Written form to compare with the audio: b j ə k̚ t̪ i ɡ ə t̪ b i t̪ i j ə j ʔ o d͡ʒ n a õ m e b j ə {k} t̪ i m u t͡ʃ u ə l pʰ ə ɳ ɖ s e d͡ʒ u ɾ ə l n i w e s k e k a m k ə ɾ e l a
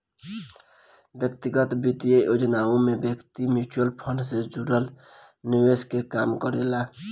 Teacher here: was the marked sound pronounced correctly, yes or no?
yes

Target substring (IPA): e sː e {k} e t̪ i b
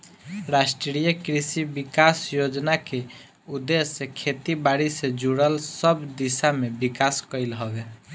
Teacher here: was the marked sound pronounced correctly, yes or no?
no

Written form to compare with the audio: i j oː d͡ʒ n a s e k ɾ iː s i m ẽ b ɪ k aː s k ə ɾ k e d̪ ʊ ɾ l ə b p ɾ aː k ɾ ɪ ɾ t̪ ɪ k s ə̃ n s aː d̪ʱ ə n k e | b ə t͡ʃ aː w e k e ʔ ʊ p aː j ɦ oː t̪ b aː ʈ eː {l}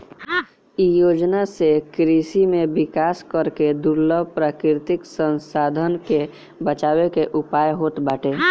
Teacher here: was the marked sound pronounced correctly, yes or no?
no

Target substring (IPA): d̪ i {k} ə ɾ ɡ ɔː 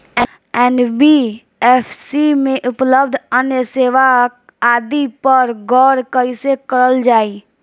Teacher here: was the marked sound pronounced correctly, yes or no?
no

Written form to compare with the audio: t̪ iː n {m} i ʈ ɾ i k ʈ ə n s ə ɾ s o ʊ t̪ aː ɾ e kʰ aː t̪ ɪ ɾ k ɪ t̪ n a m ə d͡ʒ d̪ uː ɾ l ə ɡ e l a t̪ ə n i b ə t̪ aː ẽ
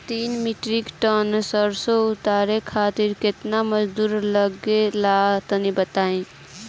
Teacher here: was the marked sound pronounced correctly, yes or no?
yes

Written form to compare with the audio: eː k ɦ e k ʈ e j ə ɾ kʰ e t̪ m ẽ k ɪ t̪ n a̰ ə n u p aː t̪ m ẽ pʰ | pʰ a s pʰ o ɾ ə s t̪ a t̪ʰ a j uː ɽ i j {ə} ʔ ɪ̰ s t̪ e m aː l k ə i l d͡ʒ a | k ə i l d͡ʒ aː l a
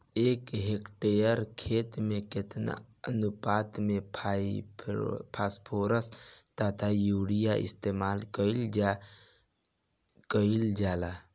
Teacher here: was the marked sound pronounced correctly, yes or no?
no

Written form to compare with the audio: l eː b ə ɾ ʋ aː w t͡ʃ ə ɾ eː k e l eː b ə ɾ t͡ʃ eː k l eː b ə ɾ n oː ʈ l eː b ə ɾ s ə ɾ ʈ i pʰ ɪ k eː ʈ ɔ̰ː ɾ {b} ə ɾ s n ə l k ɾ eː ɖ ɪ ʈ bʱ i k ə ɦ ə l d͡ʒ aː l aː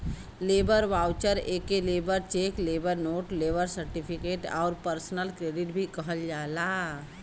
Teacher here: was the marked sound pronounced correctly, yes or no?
no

